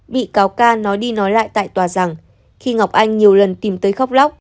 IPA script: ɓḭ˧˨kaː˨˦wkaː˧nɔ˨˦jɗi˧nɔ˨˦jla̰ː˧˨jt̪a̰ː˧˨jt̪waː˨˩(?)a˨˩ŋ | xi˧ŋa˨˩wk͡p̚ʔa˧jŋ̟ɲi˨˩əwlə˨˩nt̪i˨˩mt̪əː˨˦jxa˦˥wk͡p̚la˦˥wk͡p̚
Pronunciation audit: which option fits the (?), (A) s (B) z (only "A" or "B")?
B